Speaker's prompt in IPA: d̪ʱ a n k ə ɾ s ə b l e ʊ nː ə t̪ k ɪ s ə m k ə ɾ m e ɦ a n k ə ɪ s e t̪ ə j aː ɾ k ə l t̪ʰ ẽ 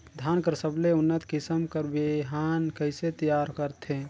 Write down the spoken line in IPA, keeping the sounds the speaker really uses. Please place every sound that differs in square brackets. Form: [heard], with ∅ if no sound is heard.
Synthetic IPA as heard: d̪ʱ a n k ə ɾ s ə b l e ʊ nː ə t̪ k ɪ s ə m k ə ɾ [b] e ɦ a n k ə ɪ s e t̪ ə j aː ɾ k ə [ɾ] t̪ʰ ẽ